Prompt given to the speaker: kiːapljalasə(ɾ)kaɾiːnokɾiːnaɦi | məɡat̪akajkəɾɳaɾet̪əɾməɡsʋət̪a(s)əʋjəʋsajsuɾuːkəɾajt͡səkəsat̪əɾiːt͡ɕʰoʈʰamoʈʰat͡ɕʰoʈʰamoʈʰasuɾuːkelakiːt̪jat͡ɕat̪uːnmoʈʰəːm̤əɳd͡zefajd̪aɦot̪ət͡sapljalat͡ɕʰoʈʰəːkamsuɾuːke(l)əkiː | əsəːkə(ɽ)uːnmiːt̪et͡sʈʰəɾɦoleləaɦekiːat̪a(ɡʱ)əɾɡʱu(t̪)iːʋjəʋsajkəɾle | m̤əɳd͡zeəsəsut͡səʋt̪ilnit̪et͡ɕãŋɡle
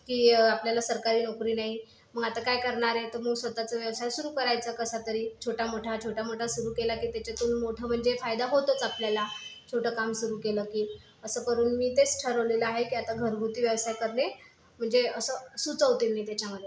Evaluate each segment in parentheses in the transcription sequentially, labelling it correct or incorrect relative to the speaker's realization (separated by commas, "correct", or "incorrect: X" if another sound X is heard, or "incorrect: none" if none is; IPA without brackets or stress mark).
correct, incorrect: t͡s, correct, incorrect: ɾ, correct, correct